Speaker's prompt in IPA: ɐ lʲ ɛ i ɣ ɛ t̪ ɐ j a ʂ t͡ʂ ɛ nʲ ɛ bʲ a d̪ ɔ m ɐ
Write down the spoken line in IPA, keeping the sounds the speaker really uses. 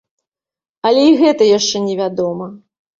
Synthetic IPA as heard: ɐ lʲ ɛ i ɣ ɛ t̪ ɐ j a ʂ t͡ʂ ɛ nʲ ɛ vʲ a d̪ ɔ m ɐ